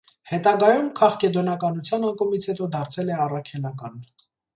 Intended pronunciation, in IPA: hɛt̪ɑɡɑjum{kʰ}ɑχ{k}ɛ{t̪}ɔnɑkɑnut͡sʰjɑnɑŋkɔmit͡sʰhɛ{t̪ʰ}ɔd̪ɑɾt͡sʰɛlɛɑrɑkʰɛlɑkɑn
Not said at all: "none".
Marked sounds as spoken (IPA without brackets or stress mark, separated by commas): kʰ, k, d̪, t̪